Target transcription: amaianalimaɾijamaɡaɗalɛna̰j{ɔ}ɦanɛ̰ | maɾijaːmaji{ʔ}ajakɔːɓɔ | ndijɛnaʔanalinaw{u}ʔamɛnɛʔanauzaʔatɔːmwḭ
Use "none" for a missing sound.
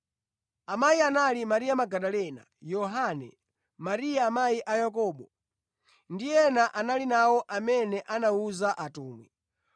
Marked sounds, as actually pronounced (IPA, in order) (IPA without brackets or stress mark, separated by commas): ɔ, ʔ, ɔ